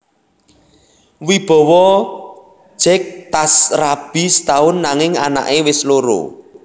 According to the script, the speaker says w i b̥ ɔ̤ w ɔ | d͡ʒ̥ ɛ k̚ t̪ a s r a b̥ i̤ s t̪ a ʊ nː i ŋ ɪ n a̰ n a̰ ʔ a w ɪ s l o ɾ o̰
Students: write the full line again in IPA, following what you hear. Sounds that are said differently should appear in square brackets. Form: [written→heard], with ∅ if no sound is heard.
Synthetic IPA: w i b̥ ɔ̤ w ɔ | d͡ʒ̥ ɛ k̚ t̪ a s r a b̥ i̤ s t̪ a ʊ nː [i→a] ŋ ɪ [n→ŋ] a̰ n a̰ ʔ [a→e] w ɪ s l o ɾ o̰